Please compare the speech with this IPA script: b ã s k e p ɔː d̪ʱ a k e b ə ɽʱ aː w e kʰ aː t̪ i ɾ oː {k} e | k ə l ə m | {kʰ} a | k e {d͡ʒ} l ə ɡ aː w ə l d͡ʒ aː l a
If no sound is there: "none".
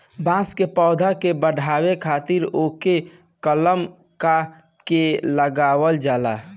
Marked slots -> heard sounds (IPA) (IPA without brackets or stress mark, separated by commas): k, k, none